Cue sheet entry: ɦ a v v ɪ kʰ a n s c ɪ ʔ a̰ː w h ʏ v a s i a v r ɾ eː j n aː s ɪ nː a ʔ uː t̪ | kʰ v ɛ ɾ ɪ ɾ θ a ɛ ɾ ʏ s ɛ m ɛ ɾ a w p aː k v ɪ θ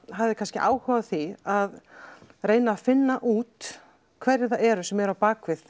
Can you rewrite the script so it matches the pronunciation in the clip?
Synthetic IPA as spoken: ɦ a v ð ɪ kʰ a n s c ɪ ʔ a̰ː w h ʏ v a θ i a ð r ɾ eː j n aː f ɪ nː a ʔ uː t̪ | kʰ v ɛ ɾ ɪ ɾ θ a ɛ ɾ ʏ s ɛ m ɛ ɾ a w p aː k v ɪ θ